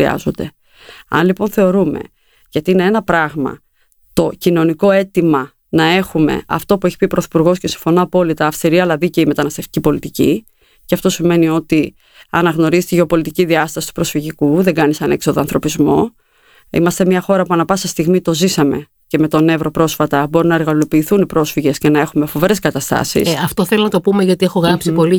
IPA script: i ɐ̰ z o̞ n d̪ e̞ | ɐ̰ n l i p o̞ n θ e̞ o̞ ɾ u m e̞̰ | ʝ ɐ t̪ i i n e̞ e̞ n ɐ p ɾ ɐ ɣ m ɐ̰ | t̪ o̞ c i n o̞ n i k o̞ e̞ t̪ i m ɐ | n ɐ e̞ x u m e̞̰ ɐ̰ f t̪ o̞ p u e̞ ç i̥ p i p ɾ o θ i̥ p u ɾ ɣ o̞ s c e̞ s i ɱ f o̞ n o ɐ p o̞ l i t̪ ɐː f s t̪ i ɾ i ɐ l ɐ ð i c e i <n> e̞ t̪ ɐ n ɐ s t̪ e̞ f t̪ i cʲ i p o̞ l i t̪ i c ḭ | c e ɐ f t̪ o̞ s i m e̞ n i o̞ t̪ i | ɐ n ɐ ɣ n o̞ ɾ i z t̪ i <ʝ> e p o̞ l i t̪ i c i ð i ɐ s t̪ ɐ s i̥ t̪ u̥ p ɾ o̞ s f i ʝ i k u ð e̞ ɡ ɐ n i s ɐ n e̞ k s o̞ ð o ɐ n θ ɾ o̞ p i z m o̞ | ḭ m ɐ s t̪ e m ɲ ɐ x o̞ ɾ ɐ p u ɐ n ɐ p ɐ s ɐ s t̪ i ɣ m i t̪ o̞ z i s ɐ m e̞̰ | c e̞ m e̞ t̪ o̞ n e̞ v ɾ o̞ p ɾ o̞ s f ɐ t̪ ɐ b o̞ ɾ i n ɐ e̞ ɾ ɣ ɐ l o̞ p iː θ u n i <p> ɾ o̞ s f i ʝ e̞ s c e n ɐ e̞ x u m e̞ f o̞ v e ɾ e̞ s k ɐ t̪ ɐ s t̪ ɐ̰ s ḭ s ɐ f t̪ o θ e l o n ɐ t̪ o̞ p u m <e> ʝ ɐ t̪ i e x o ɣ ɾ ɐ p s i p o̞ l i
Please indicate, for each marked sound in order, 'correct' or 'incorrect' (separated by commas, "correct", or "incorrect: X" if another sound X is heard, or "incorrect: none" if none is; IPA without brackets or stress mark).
incorrect: m, correct, correct, correct